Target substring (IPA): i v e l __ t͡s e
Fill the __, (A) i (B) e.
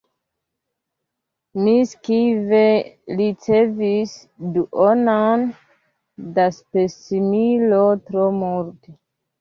A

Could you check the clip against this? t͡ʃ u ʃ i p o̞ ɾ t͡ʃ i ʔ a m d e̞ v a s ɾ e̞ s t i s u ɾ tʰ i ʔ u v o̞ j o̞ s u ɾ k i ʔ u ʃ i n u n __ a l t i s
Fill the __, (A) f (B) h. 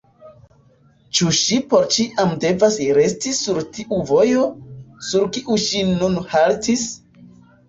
B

